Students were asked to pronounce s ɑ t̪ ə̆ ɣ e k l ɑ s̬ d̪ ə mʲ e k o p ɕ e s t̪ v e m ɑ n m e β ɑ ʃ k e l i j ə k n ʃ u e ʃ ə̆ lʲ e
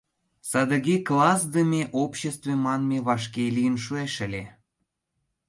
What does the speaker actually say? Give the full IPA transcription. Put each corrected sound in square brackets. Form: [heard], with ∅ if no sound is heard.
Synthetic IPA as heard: s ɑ [d̪] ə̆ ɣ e k l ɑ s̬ d̪ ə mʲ e [ʔ] o p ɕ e s t̪ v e m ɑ n m e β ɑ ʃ k e l i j ə [∅] n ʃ u e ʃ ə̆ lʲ e